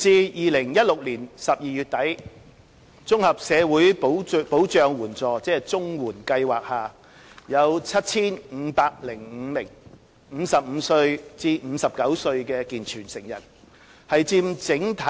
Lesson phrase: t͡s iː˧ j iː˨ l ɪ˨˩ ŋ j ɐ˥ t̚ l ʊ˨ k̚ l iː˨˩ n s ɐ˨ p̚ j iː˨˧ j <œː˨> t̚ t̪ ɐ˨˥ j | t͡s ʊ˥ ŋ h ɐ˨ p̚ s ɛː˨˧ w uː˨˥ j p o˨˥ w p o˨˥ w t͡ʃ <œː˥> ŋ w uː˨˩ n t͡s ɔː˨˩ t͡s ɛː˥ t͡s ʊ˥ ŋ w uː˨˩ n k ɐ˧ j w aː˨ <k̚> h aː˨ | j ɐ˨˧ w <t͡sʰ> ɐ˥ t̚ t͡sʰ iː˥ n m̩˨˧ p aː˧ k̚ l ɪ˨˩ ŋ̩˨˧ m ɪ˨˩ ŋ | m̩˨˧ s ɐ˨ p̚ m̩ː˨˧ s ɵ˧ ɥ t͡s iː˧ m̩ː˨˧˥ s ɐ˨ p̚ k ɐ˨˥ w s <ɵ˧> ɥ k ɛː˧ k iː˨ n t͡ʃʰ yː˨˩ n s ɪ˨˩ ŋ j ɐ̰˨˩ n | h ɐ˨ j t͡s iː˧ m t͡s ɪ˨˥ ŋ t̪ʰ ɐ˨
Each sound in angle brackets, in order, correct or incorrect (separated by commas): incorrect, incorrect, correct, correct, correct